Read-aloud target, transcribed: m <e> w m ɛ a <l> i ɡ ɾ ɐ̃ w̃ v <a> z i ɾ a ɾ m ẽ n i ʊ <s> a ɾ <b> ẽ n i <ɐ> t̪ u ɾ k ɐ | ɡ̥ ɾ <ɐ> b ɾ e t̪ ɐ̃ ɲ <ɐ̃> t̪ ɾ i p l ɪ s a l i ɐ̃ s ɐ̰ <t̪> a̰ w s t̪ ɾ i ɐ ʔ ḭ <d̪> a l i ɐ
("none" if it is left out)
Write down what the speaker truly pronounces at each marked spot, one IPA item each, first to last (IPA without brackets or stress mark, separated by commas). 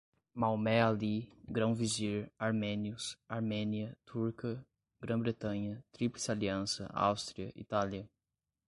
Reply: a, l, i, s, m, ɐ, ɐ̃, ɐ, none, t̪